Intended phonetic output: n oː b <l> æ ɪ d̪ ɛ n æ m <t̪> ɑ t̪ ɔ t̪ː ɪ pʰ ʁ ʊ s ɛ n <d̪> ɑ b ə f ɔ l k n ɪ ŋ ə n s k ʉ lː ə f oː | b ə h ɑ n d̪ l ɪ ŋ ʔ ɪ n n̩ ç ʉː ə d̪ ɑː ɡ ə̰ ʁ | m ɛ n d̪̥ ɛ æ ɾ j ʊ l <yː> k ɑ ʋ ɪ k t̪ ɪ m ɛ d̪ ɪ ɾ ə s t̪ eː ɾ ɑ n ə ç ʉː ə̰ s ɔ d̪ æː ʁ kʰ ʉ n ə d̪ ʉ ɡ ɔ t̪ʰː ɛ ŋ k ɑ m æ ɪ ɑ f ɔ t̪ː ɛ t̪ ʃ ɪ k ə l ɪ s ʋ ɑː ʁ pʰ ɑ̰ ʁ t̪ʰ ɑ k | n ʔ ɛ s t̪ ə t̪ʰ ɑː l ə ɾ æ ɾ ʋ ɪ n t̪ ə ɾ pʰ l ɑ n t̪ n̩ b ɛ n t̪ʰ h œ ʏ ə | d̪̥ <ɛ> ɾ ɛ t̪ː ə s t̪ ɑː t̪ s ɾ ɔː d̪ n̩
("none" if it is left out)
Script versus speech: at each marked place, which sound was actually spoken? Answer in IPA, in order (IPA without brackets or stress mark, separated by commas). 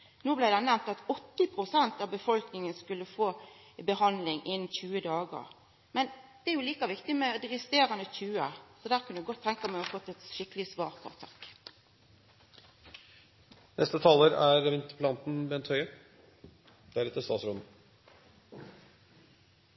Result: l, t̪, t̪, iː, æ